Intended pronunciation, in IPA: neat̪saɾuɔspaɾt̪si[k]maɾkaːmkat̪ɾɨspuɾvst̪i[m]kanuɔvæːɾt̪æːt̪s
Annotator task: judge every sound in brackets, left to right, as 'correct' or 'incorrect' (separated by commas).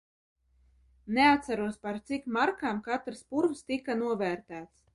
correct, incorrect